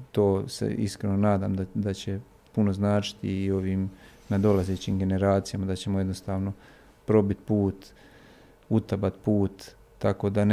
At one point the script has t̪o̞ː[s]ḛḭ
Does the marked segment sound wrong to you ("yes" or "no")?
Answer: no